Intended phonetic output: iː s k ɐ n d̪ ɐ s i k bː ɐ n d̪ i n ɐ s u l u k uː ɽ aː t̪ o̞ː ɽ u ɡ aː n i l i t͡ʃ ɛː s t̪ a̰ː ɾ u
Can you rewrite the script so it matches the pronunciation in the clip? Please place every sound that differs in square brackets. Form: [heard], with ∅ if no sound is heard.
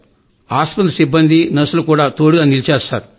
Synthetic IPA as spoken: [aː] s [p] ɐ n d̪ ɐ s i [∅] bː ɐ n d̪ i n ɐ s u l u k uː ɽ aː t̪ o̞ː ɽ u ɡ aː n i l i t͡ʃ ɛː s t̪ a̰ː ɾ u